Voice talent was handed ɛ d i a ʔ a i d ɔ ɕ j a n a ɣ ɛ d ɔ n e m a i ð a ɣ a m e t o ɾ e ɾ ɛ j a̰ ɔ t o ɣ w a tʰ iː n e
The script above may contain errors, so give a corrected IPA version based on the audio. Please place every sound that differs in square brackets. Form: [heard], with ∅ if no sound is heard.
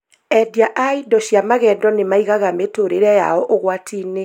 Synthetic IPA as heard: ɛ d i a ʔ a i d ɔ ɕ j a [m] a ɣ ɛ d ɔ n e m a i [ɣ] a ɣ a m e t o ɾ e ɾ ɛ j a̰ ɔ [ʔ] o ɣ w a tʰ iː n e